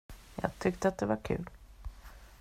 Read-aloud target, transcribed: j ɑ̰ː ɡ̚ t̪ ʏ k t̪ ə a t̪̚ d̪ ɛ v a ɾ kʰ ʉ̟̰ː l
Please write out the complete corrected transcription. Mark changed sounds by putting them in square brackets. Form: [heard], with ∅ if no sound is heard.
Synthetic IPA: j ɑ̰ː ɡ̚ [t̪ʰ] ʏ k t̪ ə a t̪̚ d̪ ɛ v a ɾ kʰ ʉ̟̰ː l